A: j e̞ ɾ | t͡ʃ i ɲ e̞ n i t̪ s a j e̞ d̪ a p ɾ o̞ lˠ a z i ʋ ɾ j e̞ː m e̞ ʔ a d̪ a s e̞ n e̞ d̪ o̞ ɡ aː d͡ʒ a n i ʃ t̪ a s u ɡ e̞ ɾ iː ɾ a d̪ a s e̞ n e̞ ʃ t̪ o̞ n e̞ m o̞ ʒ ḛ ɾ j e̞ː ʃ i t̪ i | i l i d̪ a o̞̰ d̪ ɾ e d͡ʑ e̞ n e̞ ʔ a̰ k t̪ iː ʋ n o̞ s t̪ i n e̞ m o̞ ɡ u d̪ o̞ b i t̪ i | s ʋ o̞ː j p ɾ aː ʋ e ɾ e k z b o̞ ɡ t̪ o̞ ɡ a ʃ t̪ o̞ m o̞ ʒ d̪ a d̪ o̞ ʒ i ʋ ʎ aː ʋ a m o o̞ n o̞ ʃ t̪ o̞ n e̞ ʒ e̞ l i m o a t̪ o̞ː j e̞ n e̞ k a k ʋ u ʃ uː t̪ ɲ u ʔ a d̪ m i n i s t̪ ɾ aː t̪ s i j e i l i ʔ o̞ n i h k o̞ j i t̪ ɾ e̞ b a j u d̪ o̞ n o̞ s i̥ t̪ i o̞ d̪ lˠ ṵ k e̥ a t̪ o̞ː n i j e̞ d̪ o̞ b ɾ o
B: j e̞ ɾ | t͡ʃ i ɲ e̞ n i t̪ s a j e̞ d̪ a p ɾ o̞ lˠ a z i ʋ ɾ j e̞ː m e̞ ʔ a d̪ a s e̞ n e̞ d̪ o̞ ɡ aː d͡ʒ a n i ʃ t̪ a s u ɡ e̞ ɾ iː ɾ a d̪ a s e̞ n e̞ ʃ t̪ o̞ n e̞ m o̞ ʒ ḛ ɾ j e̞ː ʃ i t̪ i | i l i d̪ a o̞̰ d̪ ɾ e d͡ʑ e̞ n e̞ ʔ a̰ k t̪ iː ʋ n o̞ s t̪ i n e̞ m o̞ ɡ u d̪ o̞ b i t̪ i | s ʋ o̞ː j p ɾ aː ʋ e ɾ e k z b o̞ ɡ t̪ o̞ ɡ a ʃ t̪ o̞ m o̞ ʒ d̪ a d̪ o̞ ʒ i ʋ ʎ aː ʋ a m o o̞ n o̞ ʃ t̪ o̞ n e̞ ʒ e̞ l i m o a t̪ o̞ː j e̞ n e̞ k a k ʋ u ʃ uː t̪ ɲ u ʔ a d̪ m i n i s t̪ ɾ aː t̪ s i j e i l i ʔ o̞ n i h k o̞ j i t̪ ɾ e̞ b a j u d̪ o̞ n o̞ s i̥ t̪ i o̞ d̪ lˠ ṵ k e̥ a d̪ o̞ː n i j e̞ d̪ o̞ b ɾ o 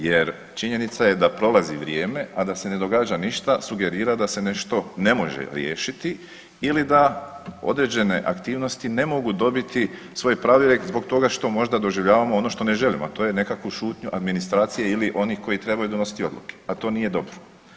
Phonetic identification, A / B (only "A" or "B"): A